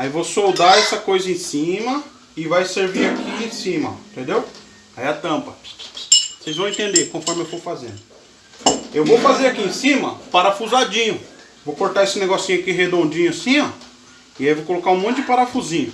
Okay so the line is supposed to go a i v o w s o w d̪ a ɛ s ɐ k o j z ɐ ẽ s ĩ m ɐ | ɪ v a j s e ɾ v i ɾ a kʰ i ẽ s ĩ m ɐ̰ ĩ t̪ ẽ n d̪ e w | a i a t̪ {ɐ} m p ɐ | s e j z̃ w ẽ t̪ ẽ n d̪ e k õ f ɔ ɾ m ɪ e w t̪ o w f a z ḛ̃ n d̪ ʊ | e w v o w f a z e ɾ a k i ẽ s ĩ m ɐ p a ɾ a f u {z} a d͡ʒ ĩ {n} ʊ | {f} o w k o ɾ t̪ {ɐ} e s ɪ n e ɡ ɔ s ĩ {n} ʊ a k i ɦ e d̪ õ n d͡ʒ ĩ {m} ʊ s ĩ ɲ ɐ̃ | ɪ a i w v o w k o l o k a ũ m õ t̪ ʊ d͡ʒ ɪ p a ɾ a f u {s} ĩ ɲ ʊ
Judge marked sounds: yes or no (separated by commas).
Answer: no, yes, no, no, no, no, no, no